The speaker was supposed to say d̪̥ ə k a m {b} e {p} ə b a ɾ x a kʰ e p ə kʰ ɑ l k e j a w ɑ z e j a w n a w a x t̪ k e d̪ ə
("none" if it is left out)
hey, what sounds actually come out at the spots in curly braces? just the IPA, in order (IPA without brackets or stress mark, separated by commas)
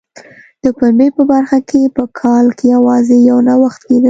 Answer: b, p